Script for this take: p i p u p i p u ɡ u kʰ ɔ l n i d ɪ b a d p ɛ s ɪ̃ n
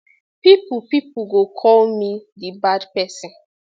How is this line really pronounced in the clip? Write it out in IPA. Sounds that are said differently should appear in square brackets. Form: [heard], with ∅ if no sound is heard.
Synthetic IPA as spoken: p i p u p i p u ɡ [o] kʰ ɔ l [m] i d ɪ b a d p ɛ s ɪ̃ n

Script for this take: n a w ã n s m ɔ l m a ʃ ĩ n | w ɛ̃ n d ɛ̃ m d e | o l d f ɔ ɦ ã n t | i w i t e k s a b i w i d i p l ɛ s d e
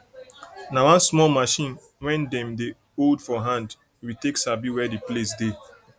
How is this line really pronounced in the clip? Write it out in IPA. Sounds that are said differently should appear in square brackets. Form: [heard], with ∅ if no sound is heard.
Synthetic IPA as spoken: n a w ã n s m ɔ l m a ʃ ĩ n | w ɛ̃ n d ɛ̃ m d e | o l d f ɔ ɦ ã n [d] | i w i t e k s a b i w [ɛ] d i p l [e] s d e

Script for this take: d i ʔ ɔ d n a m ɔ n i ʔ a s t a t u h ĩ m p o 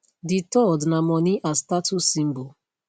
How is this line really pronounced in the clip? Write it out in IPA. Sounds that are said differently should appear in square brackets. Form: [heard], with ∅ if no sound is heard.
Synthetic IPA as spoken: d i [t] ɔ d n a m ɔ n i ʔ a s t a t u [s] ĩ m [b] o

